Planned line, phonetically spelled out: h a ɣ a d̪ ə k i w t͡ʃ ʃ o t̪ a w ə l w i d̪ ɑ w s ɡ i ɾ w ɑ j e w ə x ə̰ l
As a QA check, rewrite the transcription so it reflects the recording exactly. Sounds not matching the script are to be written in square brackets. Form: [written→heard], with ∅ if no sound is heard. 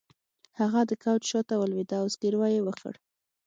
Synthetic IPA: h a ɣ a d̪ ə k [i→a] w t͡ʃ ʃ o t̪ a w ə l w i d̪ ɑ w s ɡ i ɾ w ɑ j e w ə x ə̰ [l→ɽ]